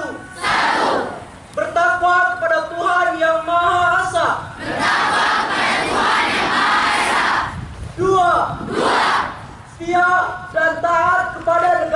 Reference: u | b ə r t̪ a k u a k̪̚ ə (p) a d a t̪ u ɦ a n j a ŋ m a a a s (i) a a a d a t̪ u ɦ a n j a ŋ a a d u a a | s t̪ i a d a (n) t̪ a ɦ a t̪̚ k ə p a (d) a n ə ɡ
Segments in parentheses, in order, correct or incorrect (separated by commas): correct, incorrect, correct, correct